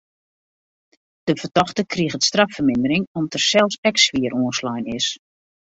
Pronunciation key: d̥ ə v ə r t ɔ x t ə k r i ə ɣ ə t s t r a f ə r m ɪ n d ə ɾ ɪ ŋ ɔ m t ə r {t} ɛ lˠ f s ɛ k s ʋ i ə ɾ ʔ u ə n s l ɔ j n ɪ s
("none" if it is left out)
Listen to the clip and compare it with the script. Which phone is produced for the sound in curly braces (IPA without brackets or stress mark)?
s